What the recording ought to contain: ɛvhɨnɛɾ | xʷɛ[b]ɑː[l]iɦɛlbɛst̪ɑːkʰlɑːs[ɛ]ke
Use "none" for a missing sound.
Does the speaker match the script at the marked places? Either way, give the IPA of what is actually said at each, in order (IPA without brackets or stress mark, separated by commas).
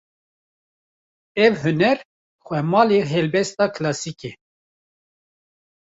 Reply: m, l, i